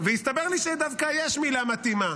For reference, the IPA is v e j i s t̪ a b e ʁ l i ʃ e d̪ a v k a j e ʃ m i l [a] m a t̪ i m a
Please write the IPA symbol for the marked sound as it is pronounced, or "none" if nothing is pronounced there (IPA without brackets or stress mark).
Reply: a